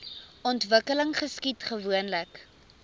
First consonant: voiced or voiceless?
voiced